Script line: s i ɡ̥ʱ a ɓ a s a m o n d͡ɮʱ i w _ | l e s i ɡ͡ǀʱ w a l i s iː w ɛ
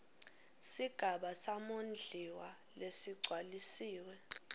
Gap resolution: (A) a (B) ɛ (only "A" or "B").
A